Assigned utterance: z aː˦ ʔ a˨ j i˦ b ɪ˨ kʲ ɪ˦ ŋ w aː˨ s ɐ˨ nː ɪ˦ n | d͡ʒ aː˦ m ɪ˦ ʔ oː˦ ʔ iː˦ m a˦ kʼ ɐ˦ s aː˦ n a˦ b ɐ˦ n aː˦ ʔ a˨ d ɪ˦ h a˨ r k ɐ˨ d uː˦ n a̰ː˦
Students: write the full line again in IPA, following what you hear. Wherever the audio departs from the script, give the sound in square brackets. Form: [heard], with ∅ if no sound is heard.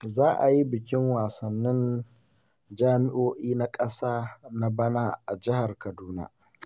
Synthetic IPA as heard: z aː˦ ʔ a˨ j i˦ b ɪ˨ kʲ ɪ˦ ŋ w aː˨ s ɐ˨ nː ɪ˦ n | d͡ʒ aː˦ m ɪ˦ ʔ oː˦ ʔ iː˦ [n] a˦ kʼ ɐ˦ s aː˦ n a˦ b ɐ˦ n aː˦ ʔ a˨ [d͡ʒ] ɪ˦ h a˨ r k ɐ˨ d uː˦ n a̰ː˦